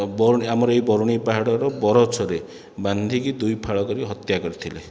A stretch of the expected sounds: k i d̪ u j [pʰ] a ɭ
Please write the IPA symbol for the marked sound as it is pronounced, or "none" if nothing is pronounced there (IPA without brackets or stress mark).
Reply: pʰ